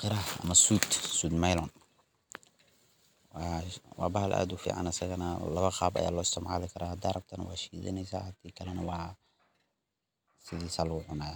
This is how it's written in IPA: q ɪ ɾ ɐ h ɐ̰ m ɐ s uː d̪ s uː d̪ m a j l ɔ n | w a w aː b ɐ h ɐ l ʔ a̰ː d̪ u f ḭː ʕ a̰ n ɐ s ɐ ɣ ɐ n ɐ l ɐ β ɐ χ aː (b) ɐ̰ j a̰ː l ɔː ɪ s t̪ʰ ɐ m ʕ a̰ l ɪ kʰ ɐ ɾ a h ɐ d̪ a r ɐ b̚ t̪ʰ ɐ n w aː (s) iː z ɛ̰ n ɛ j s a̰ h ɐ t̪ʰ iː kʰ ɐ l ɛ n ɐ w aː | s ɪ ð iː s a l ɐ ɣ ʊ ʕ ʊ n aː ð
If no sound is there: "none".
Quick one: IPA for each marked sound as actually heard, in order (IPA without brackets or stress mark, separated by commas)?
b, ʃ